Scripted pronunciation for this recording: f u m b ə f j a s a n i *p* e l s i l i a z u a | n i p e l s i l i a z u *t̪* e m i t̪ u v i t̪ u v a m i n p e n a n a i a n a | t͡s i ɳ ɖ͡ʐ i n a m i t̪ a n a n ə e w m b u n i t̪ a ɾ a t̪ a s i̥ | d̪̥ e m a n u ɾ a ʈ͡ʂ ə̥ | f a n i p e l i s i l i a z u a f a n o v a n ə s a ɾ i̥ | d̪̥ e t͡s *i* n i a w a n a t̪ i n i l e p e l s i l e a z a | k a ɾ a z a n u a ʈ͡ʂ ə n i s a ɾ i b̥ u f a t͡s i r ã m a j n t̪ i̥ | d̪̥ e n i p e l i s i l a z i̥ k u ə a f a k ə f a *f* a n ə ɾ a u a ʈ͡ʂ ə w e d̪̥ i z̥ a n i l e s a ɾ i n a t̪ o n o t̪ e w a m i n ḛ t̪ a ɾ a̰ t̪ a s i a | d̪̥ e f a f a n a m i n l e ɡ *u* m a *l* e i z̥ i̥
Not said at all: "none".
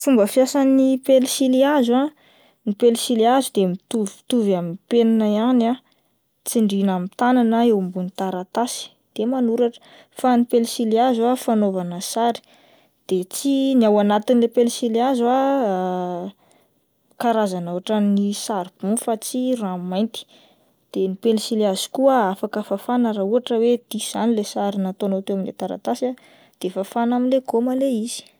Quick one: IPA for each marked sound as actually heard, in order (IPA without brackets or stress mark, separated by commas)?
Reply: p, d̪, i, f, o, l